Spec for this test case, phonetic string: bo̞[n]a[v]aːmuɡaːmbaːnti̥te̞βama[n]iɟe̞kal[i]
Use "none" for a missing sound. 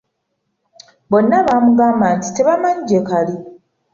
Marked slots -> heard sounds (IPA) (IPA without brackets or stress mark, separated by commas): nː, β, ɲ, i